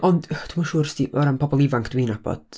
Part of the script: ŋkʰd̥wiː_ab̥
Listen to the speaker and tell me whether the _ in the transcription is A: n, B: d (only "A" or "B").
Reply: A